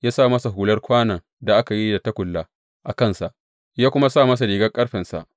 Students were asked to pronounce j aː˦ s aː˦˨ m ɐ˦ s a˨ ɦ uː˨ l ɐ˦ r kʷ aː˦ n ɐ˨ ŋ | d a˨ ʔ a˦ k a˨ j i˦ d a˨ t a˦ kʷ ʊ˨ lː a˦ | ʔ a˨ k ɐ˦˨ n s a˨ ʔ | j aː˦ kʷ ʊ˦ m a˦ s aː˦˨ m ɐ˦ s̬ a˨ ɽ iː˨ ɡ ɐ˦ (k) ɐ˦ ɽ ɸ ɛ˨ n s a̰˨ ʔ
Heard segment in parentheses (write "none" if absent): kʼ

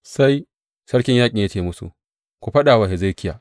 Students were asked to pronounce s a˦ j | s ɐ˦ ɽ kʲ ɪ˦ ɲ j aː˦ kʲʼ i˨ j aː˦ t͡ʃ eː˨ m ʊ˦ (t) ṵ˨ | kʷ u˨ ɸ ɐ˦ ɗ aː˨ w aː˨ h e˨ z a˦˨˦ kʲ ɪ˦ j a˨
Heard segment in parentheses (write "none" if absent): s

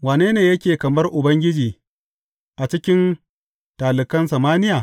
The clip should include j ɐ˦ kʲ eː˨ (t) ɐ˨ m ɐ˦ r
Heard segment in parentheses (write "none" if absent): k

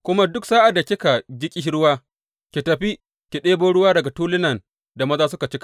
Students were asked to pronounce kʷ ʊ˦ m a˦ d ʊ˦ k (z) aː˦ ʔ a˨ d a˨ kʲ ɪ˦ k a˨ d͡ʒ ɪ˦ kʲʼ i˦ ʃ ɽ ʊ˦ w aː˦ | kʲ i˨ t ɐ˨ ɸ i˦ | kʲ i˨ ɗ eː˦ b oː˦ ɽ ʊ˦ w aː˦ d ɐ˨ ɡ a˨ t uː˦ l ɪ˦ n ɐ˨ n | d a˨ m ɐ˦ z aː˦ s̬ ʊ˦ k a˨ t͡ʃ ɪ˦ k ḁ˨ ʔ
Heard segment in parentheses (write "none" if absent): s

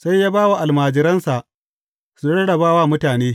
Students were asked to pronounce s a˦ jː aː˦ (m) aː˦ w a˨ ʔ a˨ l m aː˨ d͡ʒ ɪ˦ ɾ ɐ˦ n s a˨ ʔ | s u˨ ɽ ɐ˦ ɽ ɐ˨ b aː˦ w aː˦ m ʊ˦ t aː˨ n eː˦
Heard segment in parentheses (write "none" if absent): b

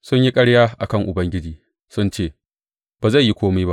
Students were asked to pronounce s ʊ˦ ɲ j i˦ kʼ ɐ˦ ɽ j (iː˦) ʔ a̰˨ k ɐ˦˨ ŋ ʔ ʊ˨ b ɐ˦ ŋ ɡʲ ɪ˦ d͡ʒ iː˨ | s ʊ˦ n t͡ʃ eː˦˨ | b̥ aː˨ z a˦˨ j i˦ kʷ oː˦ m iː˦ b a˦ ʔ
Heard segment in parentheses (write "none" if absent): aː˦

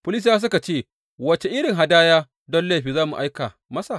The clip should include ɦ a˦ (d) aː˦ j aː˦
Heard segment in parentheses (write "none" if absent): d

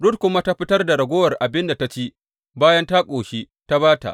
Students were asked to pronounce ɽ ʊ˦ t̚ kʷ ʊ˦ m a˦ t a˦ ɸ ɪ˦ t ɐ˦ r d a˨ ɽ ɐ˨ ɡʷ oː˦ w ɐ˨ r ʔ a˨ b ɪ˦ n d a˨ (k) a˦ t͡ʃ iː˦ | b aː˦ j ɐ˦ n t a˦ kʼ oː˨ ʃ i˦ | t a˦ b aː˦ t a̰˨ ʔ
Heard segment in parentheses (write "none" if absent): t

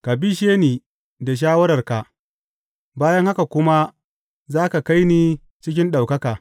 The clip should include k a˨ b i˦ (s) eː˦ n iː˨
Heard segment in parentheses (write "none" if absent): ʃ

